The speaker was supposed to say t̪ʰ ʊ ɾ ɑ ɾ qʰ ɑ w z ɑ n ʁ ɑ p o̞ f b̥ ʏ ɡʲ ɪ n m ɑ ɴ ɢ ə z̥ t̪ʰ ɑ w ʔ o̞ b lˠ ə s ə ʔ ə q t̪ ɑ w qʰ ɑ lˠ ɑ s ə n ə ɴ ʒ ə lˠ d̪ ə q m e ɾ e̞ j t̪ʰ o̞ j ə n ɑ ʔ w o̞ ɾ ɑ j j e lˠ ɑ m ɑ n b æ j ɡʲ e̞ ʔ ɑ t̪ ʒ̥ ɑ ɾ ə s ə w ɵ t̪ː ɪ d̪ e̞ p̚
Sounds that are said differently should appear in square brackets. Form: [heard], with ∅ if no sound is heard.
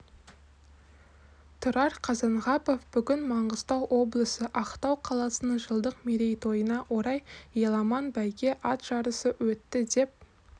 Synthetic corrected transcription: t̪ʰ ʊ ɾ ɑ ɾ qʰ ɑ [∅] z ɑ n ʁ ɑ p o̞ f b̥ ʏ ɡʲ ɪ n m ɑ ɴ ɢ ə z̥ [t̪] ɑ w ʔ o̞ b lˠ ə s ə ʔ [ɑ] q t̪ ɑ w qʰ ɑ lˠ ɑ s ə n ə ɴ ʒ ə lˠ d̪ ə q m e ɾ e̞ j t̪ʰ o̞ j ə n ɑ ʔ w o̞ ɾ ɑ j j e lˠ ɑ m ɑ n b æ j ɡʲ e̞ ʔ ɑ t̪ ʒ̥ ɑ ɾ ə s ə w ɵ t̪ː ɪ d̪ e̞ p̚